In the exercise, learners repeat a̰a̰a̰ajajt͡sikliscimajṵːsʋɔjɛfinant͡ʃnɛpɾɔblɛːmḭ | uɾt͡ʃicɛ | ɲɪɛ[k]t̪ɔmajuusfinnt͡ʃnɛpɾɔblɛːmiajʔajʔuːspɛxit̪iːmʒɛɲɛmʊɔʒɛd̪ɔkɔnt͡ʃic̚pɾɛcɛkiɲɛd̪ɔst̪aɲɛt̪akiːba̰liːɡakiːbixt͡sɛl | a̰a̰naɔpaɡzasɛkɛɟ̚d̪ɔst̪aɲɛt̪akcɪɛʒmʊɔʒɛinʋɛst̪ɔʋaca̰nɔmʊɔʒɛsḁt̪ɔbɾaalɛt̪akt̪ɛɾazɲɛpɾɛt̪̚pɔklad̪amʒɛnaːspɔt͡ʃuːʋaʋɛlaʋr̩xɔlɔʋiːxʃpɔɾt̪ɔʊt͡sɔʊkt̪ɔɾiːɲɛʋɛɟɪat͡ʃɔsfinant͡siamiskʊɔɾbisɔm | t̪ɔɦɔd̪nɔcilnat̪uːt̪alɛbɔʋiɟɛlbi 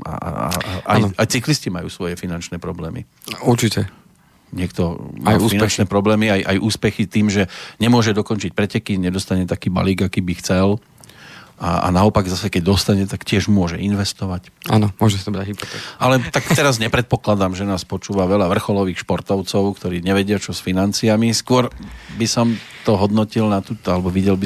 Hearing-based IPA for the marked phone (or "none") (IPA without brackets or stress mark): k